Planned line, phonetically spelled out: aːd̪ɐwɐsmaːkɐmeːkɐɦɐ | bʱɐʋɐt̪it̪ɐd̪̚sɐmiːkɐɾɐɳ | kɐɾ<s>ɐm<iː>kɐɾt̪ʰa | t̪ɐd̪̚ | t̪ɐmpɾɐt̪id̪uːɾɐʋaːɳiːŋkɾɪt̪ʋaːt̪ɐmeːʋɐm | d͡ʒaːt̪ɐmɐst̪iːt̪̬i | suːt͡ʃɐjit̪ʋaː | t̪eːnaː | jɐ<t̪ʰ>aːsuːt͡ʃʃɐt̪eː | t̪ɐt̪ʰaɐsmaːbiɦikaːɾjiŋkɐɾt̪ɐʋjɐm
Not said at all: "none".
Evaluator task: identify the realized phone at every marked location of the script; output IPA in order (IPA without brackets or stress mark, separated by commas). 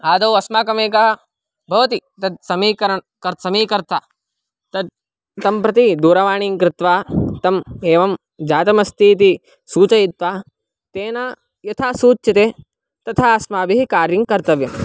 s, iː, t̪ʰ